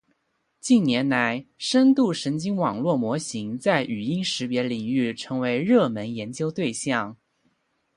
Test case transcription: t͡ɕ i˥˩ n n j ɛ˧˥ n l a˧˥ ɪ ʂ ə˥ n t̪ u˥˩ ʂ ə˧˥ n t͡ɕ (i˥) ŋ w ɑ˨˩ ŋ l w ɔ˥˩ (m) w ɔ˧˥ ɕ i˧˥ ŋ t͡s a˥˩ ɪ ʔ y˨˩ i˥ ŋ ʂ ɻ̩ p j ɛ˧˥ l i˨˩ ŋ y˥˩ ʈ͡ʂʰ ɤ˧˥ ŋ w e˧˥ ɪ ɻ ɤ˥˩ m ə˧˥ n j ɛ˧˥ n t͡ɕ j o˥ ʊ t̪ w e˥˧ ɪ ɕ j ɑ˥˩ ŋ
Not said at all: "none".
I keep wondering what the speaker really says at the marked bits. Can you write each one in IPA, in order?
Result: i˥, m

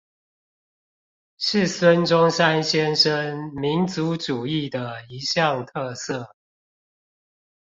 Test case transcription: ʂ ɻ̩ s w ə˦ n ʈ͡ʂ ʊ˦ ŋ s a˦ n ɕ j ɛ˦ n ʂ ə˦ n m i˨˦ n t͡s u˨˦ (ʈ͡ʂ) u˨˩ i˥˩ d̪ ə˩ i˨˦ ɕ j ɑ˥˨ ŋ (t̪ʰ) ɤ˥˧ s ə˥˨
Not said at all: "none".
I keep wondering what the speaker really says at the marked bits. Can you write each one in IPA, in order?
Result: ʈ͡ʂ, t̪ʰ

